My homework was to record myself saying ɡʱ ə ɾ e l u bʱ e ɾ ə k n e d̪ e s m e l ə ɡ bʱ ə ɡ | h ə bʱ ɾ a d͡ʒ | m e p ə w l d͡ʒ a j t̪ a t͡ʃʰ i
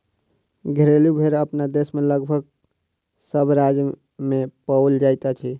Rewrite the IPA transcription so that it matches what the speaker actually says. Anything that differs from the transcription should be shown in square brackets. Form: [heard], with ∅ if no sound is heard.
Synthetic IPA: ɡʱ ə ɾ e l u bʱ e ɾ ə [p] n [a] d̪ e s m e l ə ɡ bʱ ə ɡ | [s] ə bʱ ɾ a d͡ʒ | m e p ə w l d͡ʒ a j t̪ a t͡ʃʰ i